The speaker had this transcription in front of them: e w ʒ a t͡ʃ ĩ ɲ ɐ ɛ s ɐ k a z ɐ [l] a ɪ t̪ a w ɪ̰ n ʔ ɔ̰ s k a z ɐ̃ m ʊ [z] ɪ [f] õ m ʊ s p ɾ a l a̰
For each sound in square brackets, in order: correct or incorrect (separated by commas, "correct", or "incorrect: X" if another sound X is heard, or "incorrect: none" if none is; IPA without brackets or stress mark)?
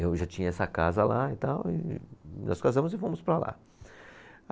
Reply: correct, correct, correct